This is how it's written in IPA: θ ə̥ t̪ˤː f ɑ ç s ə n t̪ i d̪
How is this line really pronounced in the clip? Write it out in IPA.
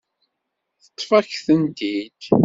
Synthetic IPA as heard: θ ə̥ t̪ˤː f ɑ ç θ ə n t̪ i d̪